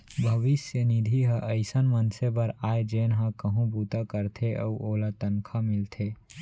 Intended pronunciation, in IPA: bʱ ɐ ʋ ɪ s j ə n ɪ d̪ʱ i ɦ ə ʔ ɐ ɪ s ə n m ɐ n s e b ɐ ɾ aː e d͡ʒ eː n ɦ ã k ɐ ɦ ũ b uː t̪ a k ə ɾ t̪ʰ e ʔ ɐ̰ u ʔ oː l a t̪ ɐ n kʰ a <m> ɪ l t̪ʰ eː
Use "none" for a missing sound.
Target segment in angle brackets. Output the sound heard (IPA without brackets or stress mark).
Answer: m